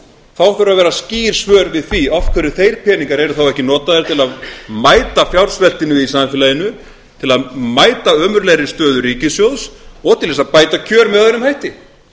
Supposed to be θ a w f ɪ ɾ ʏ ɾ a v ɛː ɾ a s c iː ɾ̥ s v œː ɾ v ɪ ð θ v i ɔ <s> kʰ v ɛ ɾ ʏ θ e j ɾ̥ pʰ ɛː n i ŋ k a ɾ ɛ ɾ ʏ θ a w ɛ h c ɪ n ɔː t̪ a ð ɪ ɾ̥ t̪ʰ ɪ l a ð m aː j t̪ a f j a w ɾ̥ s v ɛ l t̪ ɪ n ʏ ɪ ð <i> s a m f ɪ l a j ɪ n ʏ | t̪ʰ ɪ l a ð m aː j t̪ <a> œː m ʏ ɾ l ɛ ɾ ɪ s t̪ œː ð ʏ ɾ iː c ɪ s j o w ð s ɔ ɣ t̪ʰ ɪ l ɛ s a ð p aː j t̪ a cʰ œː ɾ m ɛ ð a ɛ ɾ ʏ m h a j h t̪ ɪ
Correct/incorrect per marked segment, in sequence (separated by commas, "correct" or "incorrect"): incorrect, correct, correct